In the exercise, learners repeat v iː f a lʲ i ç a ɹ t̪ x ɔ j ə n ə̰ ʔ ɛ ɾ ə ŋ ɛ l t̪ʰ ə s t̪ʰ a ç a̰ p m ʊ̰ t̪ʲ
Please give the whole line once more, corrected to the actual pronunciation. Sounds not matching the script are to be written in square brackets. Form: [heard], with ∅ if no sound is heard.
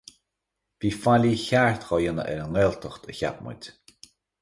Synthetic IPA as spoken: v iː f a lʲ i ç a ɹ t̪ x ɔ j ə n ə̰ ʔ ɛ ɾ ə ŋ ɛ l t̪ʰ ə [x] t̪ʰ [ə] ç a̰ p m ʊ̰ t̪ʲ